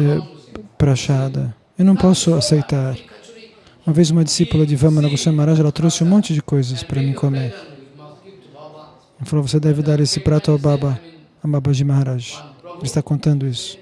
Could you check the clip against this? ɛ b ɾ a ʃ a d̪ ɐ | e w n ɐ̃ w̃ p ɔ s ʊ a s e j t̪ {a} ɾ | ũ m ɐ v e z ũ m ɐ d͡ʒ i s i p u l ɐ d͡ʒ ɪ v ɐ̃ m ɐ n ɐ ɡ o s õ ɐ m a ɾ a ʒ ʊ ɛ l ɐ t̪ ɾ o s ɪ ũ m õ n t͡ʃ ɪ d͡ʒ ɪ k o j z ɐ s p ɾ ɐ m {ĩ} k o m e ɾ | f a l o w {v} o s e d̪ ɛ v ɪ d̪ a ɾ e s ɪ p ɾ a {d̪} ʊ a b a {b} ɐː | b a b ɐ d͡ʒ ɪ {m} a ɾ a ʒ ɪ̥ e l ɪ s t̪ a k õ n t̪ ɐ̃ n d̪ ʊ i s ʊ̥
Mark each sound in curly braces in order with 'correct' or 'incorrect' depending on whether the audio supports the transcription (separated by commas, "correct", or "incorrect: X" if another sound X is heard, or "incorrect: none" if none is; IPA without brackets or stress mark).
correct, correct, correct, incorrect: t̪, correct, correct